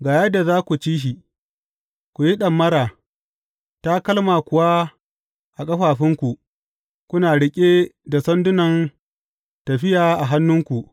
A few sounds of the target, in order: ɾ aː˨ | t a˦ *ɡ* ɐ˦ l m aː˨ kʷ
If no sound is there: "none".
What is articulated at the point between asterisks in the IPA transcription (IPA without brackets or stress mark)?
k